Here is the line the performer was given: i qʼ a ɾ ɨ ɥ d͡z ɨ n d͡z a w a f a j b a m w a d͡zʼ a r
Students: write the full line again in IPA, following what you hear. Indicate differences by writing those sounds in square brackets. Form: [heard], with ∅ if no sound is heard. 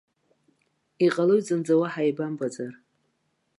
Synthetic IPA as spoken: i qʼ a [l] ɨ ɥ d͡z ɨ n d͡z a w a [ħ] a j b a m [b] a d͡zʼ a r